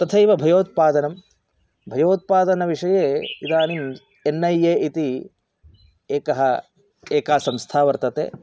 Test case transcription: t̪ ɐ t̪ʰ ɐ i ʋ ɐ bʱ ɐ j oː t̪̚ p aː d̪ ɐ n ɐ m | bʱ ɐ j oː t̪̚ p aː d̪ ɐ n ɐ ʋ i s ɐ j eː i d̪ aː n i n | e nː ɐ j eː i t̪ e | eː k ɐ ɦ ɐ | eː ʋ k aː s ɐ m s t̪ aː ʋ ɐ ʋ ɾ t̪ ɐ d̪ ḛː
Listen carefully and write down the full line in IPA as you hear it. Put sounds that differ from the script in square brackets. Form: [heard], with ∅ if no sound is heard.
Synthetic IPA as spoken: t̪ ɐ t̪ʰ ɐ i ʋ ɐ bʱ ɐ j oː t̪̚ p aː d̪ ɐ n ɐ m | bʱ ɐ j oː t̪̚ p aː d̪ ɐ n ɐ ʋ i [ʂ] ɐ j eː i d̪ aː n i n | e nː ɐ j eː i t̪ [i] | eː k ɐ ɦ ɐ | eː [∅] k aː s ɐ m s [t̪ʰ] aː ʋ ɐ [∅] ɾ t̪ ɐ [t̪] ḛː